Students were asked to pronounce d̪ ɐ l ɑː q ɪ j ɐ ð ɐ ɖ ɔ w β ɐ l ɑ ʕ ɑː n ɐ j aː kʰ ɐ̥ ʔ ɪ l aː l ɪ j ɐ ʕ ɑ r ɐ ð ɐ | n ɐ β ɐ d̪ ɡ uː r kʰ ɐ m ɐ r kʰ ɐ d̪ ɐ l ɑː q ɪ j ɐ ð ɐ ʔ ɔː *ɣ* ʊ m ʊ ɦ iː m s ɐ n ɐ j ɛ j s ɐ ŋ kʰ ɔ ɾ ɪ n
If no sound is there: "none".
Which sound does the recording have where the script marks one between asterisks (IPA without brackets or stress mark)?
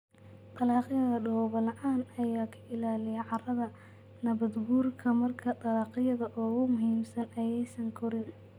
ɣ